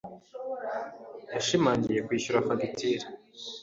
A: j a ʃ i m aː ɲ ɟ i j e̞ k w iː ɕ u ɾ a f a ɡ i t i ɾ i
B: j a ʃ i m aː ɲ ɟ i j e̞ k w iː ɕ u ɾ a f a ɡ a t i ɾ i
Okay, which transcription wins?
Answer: A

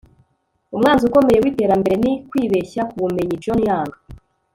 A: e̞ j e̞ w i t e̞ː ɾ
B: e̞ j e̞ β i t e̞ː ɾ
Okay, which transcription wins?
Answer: A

